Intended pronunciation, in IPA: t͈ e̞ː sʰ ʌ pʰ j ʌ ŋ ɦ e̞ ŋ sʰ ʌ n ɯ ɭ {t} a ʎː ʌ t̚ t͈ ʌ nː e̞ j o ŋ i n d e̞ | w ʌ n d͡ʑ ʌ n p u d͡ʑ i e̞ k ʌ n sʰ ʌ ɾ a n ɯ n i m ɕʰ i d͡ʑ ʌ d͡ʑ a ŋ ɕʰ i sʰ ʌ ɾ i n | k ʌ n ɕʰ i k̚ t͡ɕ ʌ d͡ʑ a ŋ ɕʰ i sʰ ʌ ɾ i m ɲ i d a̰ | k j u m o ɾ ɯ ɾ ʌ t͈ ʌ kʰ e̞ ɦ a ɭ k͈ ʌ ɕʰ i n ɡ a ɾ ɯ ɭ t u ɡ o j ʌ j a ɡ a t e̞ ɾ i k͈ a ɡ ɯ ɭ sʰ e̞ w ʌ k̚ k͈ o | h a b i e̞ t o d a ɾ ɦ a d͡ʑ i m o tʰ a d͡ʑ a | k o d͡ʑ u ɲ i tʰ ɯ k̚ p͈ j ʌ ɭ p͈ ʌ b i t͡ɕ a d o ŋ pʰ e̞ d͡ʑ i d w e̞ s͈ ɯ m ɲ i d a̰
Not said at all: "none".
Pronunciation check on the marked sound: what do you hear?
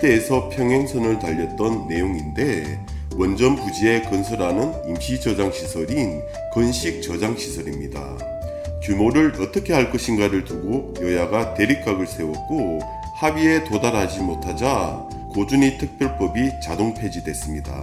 t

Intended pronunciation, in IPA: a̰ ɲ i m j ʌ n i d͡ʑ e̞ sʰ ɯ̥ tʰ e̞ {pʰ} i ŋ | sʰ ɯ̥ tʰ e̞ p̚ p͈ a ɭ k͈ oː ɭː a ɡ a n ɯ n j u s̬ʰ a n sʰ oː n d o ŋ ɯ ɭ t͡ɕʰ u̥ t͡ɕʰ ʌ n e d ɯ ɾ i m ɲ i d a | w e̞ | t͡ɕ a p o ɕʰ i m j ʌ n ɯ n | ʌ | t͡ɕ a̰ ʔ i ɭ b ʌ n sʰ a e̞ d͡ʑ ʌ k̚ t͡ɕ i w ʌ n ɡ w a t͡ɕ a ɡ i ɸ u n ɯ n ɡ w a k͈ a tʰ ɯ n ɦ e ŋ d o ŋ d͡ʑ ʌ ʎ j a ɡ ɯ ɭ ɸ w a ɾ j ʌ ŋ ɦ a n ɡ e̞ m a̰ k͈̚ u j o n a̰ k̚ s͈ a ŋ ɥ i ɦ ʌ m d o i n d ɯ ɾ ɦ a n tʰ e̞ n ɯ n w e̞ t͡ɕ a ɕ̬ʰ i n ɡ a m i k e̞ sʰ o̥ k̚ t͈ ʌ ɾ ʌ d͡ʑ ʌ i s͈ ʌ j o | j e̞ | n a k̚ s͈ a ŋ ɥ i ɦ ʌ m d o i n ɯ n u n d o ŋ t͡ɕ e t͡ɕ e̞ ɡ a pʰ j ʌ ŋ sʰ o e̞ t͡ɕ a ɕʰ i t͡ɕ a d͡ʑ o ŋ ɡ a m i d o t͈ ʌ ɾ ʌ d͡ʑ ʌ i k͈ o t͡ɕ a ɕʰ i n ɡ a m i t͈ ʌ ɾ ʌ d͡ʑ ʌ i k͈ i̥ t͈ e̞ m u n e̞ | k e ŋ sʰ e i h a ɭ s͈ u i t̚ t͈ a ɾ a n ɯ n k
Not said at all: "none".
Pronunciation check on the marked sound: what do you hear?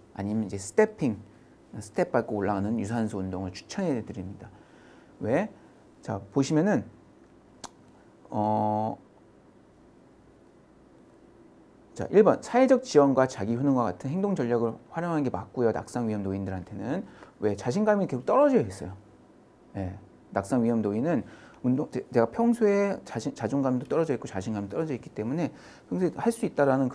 pʰ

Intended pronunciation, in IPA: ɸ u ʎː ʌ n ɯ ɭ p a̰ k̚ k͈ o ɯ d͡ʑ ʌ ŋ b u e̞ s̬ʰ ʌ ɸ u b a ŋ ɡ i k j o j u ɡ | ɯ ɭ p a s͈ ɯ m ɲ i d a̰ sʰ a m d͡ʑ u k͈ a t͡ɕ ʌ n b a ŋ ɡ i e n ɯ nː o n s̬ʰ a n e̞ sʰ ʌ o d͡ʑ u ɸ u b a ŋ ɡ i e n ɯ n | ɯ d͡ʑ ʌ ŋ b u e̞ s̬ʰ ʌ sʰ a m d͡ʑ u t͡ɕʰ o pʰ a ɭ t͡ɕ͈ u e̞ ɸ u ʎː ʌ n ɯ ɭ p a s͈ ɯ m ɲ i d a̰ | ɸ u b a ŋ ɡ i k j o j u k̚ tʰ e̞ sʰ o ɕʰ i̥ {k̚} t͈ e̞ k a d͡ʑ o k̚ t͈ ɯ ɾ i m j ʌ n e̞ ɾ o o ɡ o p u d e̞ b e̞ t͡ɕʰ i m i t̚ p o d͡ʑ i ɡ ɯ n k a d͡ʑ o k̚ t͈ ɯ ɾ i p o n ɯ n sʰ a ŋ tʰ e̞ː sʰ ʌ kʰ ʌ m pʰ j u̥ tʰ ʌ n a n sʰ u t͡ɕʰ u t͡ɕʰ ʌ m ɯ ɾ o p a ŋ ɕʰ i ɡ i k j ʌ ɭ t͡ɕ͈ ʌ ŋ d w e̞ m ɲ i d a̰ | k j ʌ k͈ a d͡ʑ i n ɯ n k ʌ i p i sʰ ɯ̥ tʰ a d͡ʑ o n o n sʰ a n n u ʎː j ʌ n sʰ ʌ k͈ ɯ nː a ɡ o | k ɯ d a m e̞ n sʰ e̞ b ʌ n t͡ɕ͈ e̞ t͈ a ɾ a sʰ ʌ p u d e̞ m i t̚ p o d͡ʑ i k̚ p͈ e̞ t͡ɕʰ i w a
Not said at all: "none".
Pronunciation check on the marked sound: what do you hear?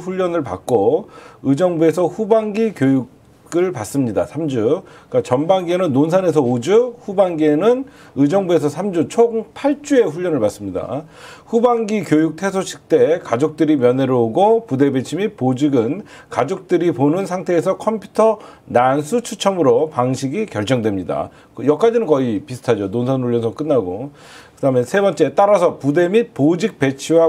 k̚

